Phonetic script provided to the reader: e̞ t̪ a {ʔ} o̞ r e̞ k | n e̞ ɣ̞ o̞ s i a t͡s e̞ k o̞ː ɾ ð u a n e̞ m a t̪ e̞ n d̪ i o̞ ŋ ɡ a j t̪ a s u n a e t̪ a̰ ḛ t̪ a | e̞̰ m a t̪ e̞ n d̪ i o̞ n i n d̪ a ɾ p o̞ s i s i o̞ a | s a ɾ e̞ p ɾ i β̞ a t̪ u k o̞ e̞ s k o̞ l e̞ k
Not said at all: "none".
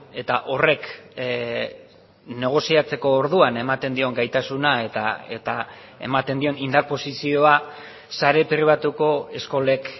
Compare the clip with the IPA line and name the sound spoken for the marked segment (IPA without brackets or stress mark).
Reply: ʔ